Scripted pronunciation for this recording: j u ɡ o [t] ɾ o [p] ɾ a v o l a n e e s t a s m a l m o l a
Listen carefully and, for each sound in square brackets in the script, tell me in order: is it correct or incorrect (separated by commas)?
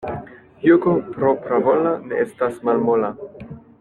incorrect, correct